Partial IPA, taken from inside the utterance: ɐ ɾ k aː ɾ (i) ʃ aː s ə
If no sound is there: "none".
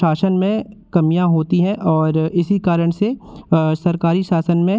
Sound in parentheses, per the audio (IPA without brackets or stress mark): i